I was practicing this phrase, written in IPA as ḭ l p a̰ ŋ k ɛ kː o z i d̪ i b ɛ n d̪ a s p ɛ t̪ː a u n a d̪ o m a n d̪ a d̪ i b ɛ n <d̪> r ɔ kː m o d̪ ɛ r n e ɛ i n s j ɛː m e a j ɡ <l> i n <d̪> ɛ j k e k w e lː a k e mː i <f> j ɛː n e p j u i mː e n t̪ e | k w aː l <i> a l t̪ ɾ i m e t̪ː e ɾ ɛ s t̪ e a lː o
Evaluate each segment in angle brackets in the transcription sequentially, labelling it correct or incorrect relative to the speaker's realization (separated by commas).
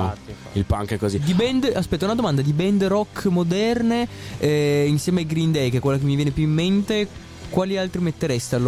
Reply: correct, incorrect, correct, incorrect, correct